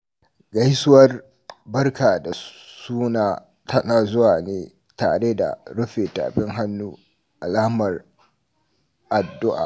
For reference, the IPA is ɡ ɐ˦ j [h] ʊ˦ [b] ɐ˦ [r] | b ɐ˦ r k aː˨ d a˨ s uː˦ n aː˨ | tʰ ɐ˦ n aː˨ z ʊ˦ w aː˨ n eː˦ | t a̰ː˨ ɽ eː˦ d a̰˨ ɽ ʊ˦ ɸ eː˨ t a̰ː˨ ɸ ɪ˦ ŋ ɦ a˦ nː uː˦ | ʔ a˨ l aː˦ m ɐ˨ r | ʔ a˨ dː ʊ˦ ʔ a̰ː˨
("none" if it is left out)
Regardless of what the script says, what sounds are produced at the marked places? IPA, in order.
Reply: s, w, r

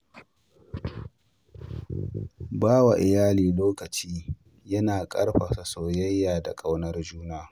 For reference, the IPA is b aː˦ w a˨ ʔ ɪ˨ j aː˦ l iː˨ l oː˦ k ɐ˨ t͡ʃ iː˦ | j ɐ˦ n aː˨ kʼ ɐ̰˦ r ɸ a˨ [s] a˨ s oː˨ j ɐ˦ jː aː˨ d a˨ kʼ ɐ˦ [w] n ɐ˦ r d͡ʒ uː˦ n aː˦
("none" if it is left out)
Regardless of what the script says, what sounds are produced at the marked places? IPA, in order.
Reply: s, w

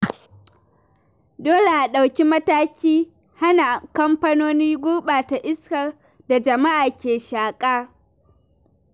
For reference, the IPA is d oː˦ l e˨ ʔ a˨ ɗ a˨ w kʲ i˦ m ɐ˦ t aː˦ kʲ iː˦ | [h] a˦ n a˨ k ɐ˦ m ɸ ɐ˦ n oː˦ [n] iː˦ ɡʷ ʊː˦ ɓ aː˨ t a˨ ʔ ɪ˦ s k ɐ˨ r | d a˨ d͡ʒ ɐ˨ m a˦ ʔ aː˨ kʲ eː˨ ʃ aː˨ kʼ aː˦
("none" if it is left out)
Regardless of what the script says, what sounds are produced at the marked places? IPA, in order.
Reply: h, n

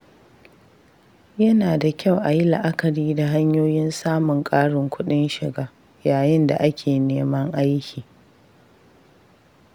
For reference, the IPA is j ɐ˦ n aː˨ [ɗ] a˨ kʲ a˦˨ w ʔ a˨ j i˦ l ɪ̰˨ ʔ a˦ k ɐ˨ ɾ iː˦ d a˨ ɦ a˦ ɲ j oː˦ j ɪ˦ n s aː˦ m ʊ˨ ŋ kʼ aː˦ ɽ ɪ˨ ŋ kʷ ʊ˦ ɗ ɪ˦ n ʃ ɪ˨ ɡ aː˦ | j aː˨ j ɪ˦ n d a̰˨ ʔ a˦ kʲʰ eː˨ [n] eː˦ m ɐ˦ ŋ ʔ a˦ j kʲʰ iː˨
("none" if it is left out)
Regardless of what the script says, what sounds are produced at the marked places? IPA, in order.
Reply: d, n

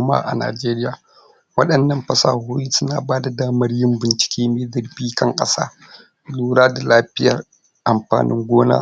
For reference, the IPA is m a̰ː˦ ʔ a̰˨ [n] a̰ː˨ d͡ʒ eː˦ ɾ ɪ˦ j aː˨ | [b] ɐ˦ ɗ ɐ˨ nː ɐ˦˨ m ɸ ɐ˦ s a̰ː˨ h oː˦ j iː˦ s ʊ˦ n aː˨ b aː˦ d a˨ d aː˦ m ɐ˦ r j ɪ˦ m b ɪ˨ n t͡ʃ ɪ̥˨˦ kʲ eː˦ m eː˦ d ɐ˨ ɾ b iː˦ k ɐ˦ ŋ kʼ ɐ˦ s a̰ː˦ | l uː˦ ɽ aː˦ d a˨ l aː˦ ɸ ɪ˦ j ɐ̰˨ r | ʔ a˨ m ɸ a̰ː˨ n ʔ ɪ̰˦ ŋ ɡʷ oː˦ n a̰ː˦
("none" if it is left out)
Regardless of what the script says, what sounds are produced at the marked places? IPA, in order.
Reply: n, w

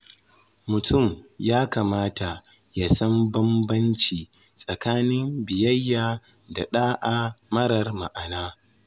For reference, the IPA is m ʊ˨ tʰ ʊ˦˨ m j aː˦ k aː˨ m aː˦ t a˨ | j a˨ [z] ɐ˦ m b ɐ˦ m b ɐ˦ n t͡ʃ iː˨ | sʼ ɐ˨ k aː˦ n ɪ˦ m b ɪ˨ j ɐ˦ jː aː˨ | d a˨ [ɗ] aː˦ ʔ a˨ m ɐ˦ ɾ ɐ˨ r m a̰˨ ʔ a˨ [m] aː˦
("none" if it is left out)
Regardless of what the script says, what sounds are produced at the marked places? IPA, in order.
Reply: s, ɗ, n

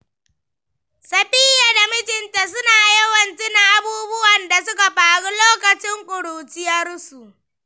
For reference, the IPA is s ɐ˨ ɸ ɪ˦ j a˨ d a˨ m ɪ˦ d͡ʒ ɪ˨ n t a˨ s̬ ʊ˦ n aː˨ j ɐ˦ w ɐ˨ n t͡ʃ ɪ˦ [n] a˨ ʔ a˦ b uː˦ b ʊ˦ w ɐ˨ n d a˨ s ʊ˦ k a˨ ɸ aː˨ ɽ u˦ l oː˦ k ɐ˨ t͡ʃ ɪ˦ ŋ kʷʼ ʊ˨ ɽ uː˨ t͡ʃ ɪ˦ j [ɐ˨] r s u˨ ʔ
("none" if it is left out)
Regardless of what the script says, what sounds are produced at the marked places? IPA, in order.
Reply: n, ɐ˦

